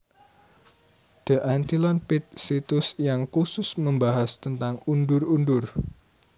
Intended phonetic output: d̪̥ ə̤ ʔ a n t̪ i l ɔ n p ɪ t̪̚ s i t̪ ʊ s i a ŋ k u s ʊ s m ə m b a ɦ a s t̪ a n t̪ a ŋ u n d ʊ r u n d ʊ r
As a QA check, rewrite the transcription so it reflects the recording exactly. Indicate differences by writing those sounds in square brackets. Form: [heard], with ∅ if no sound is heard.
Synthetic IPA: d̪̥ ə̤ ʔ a n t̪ i l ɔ n p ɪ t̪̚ s i t̪ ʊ s [j] a ŋ k u s ʊ s m ə m b a ɦ a s t̪ [ə] n t̪ a ŋ u n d ʊ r u n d ʊ r

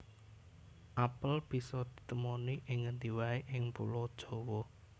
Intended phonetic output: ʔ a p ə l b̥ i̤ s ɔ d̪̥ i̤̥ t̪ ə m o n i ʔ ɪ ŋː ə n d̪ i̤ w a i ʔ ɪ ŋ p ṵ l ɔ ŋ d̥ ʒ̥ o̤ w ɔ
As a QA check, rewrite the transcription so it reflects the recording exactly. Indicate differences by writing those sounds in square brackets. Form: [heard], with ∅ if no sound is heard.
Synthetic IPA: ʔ a p ə l b̥ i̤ s ɔ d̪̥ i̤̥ t̪ ə m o n i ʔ ɪ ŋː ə n d̪ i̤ w a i ʔ ɪ ŋ p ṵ l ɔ [∅] d̥ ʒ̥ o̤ w ɔ

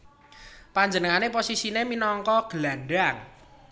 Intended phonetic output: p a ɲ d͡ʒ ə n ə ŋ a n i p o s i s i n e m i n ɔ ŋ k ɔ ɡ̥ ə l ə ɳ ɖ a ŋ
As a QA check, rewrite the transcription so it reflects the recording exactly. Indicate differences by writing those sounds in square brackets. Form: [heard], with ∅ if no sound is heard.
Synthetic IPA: p a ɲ d͡ʒ ə n ə ŋ a n [e] p o s i s i n e m i n ɔ ŋ k ɔ ɡ̥ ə l [a] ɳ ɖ a ŋ

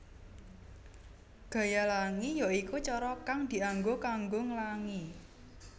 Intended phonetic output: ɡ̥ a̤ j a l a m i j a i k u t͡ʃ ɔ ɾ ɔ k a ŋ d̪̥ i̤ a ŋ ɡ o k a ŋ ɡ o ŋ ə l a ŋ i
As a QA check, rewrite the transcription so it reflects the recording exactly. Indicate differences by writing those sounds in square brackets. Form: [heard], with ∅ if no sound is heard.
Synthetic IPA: ɡ̥ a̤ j a l a [ŋ] i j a i k u t͡ʃ ɔ ɾ ɔ k a ŋ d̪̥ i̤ a ŋ ɡ o k a ŋ ɡ o ŋ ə l a ŋ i

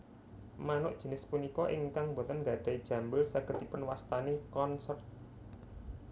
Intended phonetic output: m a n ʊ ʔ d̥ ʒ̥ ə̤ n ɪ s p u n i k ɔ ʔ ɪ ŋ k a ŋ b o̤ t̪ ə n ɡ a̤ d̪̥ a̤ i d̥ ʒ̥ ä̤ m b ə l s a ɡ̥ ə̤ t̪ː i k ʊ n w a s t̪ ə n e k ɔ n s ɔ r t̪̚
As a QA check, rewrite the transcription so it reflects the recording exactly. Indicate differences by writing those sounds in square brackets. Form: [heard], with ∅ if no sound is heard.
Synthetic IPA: m a n ʊ ʔ d̥ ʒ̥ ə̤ n ɪ s p u n i k ɔ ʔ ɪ ŋ k a ŋ b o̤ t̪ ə n ɡ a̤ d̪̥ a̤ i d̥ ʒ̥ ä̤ m b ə l s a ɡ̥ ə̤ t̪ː i [p] ʊ n w a s t̪ [a] n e k ɔ n s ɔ r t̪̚

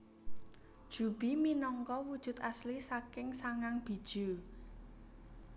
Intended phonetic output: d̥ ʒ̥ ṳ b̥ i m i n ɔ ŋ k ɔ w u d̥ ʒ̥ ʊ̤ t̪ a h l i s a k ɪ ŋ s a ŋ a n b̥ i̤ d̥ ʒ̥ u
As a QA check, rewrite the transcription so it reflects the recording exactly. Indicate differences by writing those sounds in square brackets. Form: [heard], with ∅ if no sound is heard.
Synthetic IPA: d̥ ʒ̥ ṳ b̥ i m i n ɔ ŋ k ɔ w u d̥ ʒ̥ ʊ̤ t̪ a [s] l i s a k ɪ ŋ s a ŋ a [ŋ] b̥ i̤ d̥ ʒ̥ u

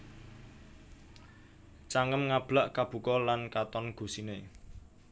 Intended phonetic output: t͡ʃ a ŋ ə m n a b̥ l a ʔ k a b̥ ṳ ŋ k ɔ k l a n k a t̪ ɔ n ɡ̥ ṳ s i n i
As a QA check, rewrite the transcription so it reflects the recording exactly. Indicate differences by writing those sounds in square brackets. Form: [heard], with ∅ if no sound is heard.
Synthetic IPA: t͡ʃ a ŋ ə m [ŋ] a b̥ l a ʔ k a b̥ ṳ [∅] k ɔ [∅] l a n k a t̪ ɔ n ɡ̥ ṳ s i n [e]

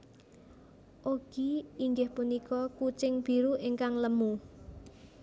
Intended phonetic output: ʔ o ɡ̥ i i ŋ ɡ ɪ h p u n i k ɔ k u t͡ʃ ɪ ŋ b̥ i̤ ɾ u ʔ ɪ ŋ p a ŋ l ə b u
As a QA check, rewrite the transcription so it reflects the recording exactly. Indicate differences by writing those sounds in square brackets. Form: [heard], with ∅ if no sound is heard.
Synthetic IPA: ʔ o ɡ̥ i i ŋ ɡ ɪ h p u n i k ɔ k u t͡ʃ ɪ ŋ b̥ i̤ ɾ u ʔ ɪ ŋ [k] a ŋ l ə [m] u

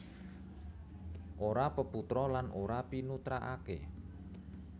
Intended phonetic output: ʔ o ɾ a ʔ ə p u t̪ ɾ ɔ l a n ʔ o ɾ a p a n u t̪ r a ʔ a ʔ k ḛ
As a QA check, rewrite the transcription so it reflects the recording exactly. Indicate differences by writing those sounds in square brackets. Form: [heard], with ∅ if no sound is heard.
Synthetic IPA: ʔ o ɾ a [p] ə p u t̪ ɾ ɔ l a n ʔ o ɾ a p [i] n u t̪ [ɾ] a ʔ a [∅] k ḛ

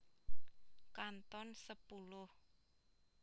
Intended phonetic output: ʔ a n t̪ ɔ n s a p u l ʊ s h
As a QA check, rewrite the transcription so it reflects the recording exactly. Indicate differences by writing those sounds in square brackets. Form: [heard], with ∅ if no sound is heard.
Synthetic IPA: [k] a n t̪ ɔ n s [ə] p u l ʊ [∅] h

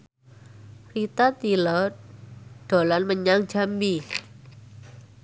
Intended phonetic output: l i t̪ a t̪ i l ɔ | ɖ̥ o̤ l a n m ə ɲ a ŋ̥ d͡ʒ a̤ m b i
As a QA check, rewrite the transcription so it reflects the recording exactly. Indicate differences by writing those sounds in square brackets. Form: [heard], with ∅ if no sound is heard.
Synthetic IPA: [r] i t̪ a t̪ i l ɔ | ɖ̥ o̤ l a n m ə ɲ a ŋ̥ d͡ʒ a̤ m b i

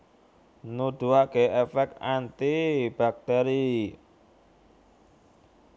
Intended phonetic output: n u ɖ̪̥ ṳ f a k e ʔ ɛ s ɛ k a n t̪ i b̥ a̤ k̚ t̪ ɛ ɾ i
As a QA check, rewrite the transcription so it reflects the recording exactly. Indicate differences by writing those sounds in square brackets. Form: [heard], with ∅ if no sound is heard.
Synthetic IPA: n u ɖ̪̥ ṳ [∅] a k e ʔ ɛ [f] ɛ k a n t̪ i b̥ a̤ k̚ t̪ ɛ ɾ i

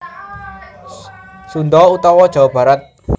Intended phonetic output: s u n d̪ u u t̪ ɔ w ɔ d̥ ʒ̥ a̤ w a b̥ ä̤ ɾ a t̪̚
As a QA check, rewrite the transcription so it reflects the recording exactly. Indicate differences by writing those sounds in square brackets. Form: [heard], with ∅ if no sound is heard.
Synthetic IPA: s u n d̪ [ɔ] u t̪ ɔ w ɔ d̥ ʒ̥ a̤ w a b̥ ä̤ ɾ a t̪̚

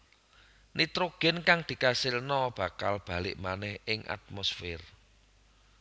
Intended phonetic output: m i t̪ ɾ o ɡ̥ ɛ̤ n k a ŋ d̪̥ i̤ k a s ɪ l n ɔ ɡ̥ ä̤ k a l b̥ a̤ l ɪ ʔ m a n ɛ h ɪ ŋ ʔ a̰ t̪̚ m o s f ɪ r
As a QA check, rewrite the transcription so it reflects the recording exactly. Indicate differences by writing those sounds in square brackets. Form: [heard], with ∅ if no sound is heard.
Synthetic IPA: [n] i t̪ ɾ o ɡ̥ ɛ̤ n k a ŋ d̪̥ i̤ k a s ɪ l n ɔ [b̥] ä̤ k a l b̥ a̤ l ɪ ʔ m a n ɛ h ɪ ŋ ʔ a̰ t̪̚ m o s f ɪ r

